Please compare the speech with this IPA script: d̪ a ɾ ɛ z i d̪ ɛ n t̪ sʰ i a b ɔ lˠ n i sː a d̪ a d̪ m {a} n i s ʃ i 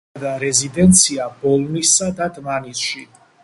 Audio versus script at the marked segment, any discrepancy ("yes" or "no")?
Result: no